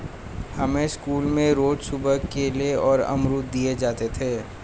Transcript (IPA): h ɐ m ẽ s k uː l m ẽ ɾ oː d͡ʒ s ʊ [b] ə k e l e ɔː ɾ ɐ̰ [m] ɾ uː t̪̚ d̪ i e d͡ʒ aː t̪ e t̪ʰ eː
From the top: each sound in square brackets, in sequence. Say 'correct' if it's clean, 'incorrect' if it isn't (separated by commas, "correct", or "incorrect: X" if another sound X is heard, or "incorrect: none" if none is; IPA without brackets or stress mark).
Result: correct, correct